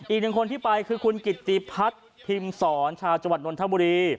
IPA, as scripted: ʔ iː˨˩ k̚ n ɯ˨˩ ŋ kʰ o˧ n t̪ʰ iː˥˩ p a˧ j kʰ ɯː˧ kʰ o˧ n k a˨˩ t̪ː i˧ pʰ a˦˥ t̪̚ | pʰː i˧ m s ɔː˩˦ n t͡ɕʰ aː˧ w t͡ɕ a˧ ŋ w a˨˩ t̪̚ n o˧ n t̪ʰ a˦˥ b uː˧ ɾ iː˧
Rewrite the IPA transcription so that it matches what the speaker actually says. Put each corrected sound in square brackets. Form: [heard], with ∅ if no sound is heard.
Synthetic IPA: ʔ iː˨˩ k̚ n ɯ˨˩ ŋ kʰ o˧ n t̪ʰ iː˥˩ p a˧ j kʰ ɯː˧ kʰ [u˧] n k [i˨˩] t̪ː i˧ pʰ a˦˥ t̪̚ | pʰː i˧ m s ɔː˩˦ n t͡ɕʰ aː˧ w t͡ɕ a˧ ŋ w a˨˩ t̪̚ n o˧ n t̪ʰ a˦˥ b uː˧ ɾ iː˧